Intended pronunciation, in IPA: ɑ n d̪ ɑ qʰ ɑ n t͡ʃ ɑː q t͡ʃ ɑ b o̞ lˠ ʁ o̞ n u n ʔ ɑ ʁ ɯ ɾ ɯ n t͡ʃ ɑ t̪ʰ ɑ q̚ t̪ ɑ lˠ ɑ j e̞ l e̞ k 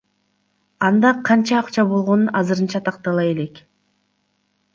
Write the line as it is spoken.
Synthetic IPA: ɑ n d̪ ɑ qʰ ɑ n t͡ʃ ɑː q t͡ʃ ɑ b o̞ lˠ ʁ o̞ n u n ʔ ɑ z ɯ ɾ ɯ n t͡ʃ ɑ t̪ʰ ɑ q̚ t̪ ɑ lˠ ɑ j e̞ l e̞ k